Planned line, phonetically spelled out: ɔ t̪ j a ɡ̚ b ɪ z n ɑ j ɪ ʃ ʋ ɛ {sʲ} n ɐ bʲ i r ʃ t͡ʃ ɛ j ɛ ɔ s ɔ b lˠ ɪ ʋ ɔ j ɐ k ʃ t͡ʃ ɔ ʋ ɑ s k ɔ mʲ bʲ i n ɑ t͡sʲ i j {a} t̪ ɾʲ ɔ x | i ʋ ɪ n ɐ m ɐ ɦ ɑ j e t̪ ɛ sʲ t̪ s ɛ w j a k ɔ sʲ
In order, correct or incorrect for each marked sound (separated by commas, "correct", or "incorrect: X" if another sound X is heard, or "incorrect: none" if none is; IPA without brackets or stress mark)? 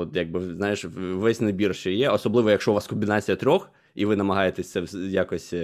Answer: correct, incorrect: ɐ